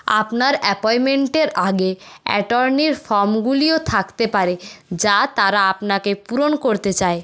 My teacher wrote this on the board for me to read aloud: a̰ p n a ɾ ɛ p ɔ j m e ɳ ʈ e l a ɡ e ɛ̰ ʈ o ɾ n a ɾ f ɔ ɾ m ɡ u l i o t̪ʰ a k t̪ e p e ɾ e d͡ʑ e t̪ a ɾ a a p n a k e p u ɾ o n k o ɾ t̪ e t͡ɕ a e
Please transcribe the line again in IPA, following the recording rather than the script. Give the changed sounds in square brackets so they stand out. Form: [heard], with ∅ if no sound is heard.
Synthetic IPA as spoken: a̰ p n a ɾ ɛ p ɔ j m e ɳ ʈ e [ɾ] a ɡ e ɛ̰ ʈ o ɾ n [i] ɾ f ɔ ɾ m ɡ u l i o t̪ʰ a k t̪ e p [a] ɾ e d͡ʑ [a] t̪ a ɾ a a p n a k e p u ɾ o n k o ɾ t̪ e t͡ɕ a e